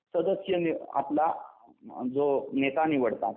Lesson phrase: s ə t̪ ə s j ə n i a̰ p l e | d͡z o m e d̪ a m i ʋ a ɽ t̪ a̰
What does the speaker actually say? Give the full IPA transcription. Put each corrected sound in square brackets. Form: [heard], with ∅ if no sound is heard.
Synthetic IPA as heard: s ə [d̪] ə s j ə n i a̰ p l [a] | d͡z o [n] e [t̪] a [n] i ʋ [ə] ɽ t̪ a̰